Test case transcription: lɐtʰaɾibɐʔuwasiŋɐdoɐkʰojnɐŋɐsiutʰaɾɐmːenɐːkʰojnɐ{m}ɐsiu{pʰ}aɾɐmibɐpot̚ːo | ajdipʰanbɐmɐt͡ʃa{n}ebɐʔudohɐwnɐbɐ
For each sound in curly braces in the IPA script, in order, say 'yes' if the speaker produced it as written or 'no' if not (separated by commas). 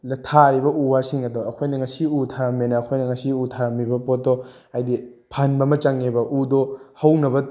no, no, no